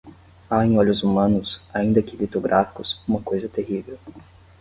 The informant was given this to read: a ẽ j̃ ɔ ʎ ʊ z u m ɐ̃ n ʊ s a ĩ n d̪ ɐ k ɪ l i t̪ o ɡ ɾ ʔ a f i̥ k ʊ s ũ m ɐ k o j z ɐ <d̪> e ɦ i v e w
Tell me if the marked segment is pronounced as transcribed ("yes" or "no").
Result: no